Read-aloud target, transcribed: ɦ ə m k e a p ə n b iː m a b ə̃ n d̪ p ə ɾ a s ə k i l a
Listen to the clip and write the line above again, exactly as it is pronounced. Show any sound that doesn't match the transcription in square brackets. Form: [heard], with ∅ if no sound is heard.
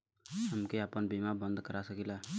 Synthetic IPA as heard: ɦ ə m k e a p ə n b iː m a b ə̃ n d̪ [k] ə ɾ a s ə k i l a